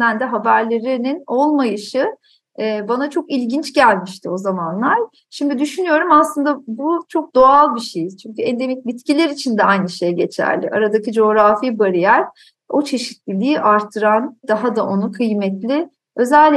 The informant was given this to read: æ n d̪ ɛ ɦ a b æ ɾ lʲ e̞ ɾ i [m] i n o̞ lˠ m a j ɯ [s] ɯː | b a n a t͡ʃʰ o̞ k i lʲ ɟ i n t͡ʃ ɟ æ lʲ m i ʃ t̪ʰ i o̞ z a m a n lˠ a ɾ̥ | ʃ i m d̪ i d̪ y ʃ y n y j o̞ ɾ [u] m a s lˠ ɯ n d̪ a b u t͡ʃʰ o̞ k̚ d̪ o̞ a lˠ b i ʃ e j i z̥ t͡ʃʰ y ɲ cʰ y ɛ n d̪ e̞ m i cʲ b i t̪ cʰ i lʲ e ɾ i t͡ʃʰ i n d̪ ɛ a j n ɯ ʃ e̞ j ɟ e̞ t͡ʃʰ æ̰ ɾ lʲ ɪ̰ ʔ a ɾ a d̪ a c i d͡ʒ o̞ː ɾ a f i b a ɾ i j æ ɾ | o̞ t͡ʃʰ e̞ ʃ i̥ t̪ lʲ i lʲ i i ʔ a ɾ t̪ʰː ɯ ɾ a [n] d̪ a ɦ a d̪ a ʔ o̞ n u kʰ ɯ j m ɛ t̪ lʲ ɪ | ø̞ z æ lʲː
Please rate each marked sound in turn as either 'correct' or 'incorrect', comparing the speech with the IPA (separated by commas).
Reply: incorrect, incorrect, correct, correct